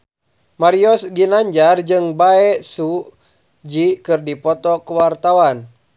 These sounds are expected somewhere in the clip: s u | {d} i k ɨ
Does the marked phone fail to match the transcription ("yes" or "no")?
yes